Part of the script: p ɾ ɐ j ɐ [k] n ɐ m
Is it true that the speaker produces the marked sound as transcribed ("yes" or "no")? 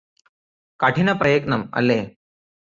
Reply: yes